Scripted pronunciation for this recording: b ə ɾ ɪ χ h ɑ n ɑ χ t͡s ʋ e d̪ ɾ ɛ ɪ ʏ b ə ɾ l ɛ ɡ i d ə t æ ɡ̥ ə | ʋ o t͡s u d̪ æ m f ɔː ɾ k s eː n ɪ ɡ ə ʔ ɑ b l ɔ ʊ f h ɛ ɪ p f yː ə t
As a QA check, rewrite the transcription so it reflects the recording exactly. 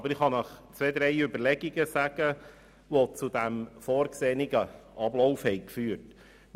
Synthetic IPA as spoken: b ə ɾ ɪ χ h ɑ n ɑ χ t͡s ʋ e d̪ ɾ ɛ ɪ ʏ b ə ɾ l ɛ ɡ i ɡ ə s æ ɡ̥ ə | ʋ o t͡s u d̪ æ m f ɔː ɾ k s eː n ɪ ɡ ə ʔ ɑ b l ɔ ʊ f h ɛ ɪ k f yː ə t